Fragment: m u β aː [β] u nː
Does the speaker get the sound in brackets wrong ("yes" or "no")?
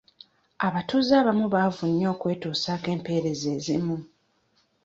yes